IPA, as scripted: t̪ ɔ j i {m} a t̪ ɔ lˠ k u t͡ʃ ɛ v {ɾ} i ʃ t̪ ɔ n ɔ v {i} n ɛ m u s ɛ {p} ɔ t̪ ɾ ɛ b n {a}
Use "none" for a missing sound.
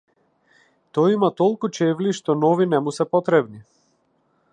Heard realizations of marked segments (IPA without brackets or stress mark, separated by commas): m, l, i, p, i